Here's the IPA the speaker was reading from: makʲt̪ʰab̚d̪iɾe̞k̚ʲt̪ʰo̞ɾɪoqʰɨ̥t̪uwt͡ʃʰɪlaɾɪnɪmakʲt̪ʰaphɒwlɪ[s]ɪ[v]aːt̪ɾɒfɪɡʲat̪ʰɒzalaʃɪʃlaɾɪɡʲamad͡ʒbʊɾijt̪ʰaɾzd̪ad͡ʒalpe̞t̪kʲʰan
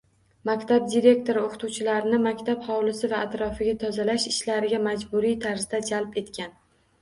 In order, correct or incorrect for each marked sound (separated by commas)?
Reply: correct, correct